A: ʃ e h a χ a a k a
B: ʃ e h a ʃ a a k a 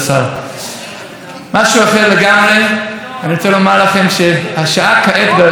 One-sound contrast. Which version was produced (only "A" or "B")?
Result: B